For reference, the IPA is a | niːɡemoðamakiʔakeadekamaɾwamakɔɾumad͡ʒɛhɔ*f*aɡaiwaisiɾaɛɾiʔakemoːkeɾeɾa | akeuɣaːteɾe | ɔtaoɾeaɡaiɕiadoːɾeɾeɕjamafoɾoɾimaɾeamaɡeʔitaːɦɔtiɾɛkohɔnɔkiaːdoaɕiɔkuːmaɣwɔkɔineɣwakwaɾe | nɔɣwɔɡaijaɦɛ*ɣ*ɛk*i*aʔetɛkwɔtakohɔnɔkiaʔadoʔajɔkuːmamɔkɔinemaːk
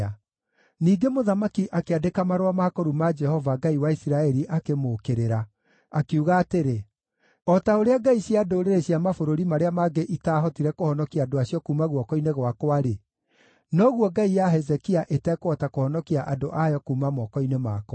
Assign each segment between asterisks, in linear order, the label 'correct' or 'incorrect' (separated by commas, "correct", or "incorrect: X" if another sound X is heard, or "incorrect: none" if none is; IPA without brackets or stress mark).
incorrect: v, incorrect: z, correct